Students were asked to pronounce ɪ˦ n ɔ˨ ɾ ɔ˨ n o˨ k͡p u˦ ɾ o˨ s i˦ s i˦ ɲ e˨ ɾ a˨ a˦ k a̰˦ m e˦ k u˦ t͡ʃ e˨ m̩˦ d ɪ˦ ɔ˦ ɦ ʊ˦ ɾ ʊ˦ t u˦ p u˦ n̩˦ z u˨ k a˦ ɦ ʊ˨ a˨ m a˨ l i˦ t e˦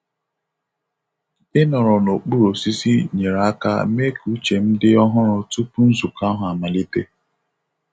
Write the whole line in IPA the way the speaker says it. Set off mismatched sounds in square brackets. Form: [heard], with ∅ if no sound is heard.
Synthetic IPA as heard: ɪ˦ n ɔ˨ ɾ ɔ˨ n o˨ k͡p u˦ ɾ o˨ s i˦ s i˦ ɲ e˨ ɾ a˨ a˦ k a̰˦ m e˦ k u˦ t͡ʃ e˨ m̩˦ d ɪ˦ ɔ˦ ɦ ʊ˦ ɾ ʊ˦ t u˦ p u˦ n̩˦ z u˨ k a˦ ɦ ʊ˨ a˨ m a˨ l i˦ t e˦